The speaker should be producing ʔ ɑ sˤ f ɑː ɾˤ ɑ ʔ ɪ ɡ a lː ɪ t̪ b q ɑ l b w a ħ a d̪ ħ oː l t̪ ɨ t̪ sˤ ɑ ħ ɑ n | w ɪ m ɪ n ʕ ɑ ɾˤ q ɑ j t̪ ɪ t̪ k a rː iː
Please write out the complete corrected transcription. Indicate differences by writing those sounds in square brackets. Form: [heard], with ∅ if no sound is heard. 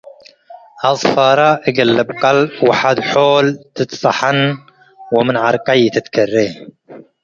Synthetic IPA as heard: ʔ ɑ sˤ f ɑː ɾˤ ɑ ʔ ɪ ɡ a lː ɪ [∅] b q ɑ l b w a ħ a d̪ ħ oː l t̪ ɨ t̪ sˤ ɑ ħ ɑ n | w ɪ m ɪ n ʕ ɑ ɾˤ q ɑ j t̪ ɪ t̪ k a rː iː